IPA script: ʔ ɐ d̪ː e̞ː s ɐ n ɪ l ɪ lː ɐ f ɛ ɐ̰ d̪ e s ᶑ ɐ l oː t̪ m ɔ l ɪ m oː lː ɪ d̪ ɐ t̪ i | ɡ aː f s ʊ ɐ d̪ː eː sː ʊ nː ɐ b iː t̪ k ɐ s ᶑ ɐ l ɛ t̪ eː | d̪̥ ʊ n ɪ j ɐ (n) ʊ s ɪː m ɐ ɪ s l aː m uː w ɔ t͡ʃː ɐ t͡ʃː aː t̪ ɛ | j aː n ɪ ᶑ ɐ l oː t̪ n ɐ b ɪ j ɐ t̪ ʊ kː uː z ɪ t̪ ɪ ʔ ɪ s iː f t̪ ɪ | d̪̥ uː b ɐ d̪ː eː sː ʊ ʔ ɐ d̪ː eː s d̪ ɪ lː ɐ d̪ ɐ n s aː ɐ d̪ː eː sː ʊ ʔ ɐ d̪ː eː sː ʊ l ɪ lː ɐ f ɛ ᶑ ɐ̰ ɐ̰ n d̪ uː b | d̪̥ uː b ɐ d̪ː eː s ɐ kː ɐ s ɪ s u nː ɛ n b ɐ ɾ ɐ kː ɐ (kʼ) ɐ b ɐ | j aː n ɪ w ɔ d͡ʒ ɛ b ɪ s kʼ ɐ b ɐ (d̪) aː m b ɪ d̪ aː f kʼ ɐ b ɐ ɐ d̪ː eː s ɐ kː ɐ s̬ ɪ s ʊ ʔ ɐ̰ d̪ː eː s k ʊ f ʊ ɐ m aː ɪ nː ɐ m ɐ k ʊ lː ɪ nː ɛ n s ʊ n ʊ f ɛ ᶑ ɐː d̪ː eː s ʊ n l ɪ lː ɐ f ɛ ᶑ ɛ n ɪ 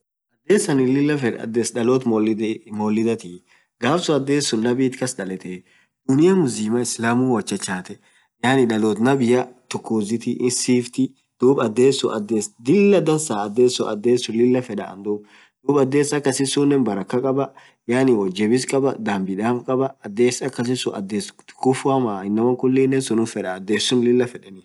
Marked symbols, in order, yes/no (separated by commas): no, yes, yes